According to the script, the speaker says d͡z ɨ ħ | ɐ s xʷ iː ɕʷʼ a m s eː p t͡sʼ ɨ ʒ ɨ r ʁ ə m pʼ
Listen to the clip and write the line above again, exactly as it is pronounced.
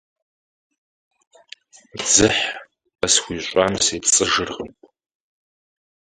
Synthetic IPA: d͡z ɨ ħ | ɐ s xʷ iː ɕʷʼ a m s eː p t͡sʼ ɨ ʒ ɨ r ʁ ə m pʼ

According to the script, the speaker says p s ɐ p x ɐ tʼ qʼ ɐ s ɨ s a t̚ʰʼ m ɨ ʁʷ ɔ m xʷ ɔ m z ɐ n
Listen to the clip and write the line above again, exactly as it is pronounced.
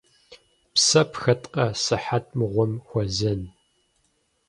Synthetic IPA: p s ɐ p x ɐ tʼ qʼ ɐ s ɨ ħ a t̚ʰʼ m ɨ ʁʷ ɔ m xʷ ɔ z ɐ n

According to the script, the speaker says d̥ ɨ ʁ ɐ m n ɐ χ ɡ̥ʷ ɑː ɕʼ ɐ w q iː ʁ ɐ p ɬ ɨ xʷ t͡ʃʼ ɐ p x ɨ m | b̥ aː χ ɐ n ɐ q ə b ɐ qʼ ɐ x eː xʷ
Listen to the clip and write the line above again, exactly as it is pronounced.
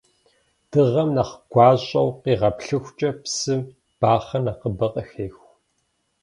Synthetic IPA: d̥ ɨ ʁ ɐ m n ɐ χ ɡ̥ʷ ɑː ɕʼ ɐ w q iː ʁ ɐ p ɬ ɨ xʷ t͡ʃʼ ɐ p s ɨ m | b̥ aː χ ɐ n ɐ q ə b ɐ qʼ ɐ x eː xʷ

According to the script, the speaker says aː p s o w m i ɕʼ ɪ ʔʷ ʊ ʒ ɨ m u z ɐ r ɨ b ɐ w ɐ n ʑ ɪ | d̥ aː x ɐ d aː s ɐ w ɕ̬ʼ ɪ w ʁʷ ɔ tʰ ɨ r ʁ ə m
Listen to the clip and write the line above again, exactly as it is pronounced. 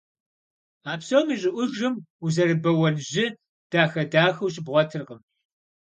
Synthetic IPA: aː p s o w m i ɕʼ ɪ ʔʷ ʊ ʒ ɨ m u z ɐ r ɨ b ɐ w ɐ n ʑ ɪ | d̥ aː x ɐ d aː x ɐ w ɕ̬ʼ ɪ b ʁʷ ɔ tʰ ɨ r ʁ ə m

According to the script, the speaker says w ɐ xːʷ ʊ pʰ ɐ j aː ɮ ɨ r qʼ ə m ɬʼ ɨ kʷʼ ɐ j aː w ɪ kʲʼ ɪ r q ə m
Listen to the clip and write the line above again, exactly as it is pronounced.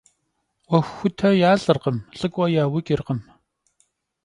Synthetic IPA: w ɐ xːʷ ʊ tʰ ɐ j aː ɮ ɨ r q ə m ɬʼ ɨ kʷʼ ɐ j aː w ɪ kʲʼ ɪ r q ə m

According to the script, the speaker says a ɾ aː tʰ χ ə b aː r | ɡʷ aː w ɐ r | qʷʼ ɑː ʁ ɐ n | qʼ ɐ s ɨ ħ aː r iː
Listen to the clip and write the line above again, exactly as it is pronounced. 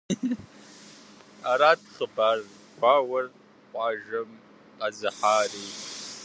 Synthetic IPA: a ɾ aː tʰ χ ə b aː r | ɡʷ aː w ɐ r | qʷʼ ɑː ʒ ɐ m | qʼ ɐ z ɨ ħ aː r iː

